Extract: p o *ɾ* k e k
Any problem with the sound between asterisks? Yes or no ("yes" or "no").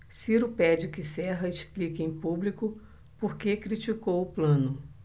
no